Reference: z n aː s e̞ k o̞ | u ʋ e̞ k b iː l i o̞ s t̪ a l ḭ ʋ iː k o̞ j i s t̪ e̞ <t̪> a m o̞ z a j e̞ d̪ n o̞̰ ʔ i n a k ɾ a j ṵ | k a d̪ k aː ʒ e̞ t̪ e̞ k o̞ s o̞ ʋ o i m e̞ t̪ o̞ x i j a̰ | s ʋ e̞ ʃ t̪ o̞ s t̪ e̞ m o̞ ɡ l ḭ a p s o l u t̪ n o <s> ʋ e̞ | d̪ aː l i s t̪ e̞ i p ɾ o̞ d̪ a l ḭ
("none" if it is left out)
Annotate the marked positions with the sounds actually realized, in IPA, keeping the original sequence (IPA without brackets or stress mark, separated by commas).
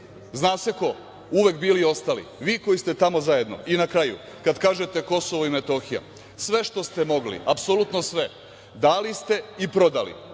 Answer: t̪, s